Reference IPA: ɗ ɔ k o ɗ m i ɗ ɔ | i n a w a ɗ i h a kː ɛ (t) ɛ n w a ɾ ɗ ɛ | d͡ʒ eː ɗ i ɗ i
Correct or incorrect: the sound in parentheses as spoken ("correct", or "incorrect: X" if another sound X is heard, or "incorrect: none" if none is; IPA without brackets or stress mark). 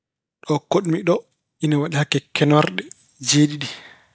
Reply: incorrect: k